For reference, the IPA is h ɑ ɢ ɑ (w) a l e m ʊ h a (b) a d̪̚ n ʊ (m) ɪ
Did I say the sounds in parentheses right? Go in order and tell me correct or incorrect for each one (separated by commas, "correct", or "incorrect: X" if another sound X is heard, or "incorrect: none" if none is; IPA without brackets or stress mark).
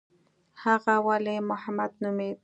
correct, incorrect: m, correct